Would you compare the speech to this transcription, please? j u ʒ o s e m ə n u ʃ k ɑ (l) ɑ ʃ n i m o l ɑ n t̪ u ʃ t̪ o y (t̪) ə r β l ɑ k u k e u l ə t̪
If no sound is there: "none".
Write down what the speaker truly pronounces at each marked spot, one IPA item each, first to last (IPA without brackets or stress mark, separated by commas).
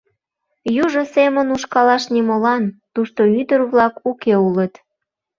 l, d̪